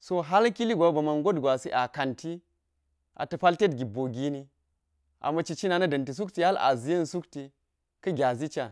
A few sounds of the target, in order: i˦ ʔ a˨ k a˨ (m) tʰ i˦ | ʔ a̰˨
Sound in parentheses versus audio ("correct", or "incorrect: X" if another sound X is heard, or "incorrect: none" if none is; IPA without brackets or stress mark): incorrect: n